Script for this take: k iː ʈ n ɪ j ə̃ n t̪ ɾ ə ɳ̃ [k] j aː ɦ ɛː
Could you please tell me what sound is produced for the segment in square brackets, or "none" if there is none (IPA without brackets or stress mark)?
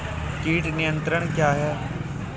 k